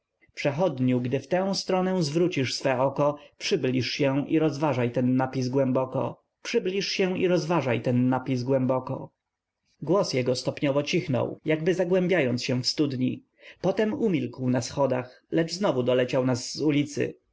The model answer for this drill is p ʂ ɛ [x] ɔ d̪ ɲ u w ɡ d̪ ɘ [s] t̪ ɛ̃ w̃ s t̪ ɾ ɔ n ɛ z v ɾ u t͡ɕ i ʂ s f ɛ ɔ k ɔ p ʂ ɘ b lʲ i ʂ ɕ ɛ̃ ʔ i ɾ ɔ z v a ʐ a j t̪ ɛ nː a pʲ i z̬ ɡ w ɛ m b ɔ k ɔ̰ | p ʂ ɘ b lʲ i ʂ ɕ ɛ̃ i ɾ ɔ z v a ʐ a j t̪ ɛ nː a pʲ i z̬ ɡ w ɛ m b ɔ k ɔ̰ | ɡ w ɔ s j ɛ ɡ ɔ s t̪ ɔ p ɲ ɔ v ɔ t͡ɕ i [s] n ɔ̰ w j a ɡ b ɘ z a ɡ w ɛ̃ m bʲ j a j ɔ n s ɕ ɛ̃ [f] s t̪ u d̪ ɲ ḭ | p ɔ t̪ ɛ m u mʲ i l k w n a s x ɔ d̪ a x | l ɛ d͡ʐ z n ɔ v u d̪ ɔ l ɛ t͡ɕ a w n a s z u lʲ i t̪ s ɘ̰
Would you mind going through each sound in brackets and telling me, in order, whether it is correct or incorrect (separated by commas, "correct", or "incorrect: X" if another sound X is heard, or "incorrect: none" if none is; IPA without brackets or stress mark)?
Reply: correct, incorrect: f, incorrect: x, correct